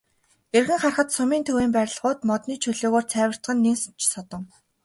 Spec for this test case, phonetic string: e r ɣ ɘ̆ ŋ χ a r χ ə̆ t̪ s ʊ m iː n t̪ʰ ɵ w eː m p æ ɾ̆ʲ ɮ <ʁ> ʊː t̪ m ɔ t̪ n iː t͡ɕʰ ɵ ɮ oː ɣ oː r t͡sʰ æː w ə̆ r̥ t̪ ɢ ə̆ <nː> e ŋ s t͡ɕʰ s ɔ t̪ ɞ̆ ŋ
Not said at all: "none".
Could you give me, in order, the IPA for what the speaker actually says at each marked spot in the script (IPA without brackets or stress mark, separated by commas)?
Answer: ʁ, nː